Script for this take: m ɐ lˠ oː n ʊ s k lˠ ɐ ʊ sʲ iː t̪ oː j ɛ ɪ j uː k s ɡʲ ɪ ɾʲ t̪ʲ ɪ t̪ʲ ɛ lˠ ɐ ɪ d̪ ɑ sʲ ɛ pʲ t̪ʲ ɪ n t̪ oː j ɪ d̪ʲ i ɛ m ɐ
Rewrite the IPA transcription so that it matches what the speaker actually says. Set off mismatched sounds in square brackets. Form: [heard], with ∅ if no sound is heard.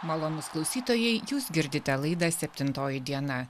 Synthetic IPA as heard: m ɐ lˠ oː n ʊ s k lˠ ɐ ʊ sʲ iː t̪ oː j ɛ ɪ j uː [∅] s ɡʲ ɪ ɾʲ [d̪ʲ] ɪ t̪ʲ ɛ lˠ ɐ ɪ d̪ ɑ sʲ ɛ pʲ t̪ʲ ɪ n t̪ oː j ɪ d̪ʲ i ɛ [n] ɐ